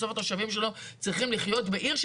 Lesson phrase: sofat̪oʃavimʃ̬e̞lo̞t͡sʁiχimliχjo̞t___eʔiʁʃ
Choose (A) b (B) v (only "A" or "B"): A